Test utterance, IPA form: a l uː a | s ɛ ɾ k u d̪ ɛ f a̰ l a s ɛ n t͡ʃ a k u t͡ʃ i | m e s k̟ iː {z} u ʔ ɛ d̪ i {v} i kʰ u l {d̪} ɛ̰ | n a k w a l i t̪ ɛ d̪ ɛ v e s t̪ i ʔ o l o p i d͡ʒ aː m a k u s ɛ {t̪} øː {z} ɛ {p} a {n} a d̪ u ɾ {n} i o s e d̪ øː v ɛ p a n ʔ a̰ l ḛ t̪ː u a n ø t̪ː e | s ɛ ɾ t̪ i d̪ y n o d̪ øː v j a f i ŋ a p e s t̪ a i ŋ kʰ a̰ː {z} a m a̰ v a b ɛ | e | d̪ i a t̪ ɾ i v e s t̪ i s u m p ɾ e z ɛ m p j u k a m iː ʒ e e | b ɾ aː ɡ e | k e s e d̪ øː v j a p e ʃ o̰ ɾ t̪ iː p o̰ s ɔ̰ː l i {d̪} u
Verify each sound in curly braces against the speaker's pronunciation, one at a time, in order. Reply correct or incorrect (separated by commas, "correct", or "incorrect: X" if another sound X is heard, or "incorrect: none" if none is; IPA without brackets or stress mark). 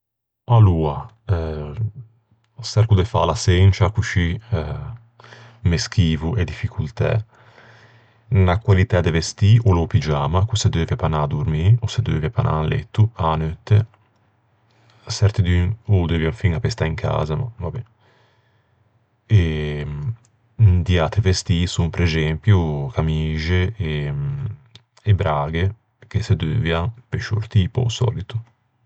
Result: incorrect: v, incorrect: f, incorrect: t̪, incorrect: d̪, incorrect: v, correct, correct, incorrect: m, correct, incorrect: t̪